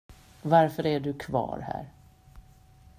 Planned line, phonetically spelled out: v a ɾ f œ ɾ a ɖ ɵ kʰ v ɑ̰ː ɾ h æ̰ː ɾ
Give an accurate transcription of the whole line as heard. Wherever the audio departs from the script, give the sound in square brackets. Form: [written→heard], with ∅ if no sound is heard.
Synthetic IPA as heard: v a ɾ f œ ɾ [a→æ] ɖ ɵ kʰ v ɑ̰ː ɾ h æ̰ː ɾ